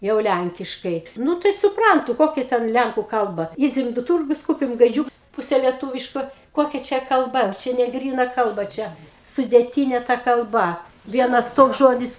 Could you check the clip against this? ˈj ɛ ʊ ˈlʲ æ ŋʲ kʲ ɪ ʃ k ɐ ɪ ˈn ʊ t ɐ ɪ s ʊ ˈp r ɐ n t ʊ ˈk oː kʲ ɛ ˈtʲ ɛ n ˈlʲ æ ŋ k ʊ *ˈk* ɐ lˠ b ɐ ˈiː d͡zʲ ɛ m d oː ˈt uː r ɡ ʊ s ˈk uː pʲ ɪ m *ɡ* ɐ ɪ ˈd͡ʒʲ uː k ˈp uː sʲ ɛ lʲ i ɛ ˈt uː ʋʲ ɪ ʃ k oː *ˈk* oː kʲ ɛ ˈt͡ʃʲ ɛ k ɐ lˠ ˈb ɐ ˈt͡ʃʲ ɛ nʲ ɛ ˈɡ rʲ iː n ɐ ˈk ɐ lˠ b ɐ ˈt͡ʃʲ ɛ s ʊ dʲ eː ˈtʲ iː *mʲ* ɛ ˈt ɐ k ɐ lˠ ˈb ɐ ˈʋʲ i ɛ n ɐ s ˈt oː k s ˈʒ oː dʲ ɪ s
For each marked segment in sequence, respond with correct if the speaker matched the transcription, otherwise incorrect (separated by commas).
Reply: correct, correct, correct, incorrect